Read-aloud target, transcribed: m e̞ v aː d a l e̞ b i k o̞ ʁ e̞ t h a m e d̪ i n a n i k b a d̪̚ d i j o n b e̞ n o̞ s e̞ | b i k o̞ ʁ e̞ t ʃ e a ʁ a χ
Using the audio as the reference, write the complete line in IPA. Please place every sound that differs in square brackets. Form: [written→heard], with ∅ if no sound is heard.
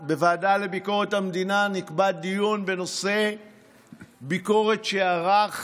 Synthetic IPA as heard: [m→b] e̞ v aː d a l e̞ b i k o̞ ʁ e̞ t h a m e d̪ i n a n i k b a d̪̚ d i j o n b e̞ n o̞ s e̞ | b i k o̞ ʁ e̞ t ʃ e a ʁ a χ